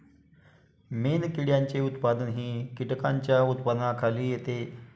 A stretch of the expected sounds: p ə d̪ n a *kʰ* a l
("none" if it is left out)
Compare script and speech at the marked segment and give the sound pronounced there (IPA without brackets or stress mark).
kʰ